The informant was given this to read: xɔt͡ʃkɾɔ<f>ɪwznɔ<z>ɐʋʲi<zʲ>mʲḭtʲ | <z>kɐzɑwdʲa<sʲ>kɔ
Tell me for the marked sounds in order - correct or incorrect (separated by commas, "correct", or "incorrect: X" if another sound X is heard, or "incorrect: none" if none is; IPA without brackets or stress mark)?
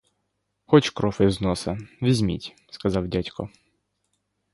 correct, incorrect: s, correct, incorrect: s, incorrect: tʲ